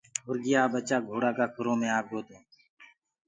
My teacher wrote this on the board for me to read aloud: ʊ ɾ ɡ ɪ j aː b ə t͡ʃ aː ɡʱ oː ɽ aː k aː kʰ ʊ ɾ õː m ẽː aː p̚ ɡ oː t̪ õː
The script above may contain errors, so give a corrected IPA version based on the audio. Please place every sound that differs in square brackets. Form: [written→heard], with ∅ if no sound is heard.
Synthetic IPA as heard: ʊ ɾ ɡ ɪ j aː b ə t͡ʃ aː ɡʱ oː ɽ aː k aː kʰ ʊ ɾ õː m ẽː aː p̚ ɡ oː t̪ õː